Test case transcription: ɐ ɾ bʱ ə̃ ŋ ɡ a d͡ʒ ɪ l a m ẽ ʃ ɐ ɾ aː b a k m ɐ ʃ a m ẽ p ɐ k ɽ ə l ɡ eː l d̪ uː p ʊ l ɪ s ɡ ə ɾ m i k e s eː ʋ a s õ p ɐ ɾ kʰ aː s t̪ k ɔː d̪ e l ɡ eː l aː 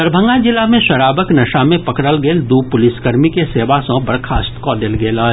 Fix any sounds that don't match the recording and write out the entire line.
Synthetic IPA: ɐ ɾ bʱ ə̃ ŋ ɡ a d͡ʒ ɪ l a m ẽ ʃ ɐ ɾ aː b ə k n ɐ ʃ a m ẽ p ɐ k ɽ ə l ɡ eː l d̪ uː p ʊ l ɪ s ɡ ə ɾ m i k e s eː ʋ a s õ b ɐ ɾ kʰ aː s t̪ k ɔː d̪ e l ɡ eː l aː